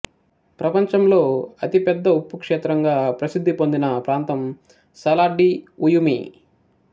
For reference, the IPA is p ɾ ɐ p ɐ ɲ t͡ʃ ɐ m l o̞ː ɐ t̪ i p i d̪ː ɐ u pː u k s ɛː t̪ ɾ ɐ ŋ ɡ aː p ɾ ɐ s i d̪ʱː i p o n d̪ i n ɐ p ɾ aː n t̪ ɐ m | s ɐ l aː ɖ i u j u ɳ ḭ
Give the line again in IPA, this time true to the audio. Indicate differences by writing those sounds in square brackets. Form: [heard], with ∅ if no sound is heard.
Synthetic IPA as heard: p ɾ ɐ p ɐ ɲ t͡ʃ ɐ m l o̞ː ɐ t̪ i p [ɛ] d̪ː ɐ u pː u k [ʂ] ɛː t̪ ɾ ɐ ŋ ɡ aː p ɾ ɐ s i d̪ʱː i p o n d̪ i n ɐ p ɾ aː n t̪ ɐ m | s ɐ l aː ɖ i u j u [m] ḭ